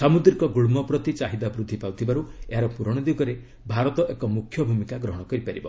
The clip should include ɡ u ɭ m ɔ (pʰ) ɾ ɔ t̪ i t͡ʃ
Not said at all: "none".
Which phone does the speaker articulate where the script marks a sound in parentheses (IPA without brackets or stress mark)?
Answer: p